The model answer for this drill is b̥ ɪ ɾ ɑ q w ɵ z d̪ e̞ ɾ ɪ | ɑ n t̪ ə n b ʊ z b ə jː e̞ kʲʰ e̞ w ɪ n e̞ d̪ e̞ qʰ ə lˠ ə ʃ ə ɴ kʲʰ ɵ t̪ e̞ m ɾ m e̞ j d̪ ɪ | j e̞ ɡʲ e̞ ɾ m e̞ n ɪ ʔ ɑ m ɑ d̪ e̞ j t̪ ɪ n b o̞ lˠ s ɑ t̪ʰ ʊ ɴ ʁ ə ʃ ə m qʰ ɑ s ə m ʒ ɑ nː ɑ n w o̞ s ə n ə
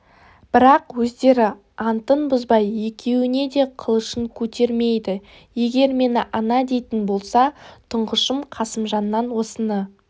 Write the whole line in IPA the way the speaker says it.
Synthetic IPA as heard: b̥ ɪ ɾ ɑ q w ɵ z d̪ e̞ ɾ ɪ | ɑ n t̪ ə n b ʊ z b ɑ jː e̞ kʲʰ e̞ w ɪ n e̞ d̪ e̞ qʰ ə lˠ ə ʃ ə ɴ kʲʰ ɵ t̪ e̞ ɾ m e̞ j d̪ ɪ | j e̞ ɡʲ e̞ ɾ m e̞ n ɪ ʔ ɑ n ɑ d̪ e̞ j t̪ ɪ n b o̞ lˠ s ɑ t̪ʰ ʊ ɴ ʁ ə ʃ ə m qʰ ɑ s ə m ʒ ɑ nː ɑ n w o̞ s ə n ə